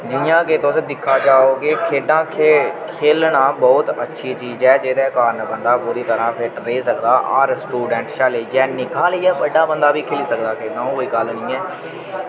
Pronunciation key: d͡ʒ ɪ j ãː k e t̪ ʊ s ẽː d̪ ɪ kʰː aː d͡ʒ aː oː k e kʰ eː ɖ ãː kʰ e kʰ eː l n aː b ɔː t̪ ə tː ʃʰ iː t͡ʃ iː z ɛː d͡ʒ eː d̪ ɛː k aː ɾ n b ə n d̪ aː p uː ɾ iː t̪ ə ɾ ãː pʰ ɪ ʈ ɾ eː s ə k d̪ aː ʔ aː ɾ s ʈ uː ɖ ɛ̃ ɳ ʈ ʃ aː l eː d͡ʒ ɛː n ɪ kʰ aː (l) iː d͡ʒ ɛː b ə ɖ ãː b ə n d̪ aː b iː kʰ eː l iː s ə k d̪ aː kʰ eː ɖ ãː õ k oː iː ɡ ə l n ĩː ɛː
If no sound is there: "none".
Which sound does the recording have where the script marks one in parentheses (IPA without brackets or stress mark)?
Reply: l